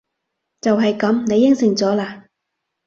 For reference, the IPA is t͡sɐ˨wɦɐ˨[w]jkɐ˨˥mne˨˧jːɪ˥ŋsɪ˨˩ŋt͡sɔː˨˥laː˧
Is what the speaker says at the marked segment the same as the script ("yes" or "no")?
no